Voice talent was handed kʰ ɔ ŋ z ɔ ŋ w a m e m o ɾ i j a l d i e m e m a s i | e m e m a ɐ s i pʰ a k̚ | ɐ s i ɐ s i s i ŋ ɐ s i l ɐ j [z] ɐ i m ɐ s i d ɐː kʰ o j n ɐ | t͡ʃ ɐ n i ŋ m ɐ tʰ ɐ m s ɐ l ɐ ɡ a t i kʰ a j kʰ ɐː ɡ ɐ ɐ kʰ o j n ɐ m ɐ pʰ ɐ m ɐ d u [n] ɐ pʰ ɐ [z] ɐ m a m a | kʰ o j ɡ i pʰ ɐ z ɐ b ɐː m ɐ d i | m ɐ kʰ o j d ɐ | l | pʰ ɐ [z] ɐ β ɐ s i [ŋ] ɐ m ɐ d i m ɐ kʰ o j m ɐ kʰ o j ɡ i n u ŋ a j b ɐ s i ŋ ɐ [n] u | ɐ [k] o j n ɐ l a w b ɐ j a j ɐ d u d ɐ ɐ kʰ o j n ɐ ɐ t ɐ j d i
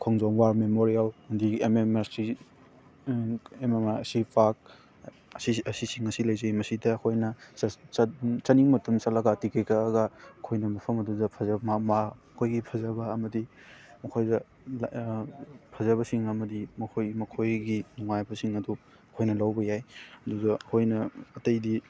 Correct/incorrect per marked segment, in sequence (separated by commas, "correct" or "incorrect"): correct, incorrect, correct, correct, correct, incorrect, incorrect